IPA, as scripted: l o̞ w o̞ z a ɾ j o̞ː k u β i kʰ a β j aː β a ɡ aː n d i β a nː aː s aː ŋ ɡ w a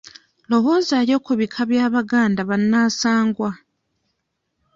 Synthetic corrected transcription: l o̞ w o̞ z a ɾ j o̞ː k u β i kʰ a β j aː β a ɡ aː n d a β a nː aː s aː ŋ ɡ w a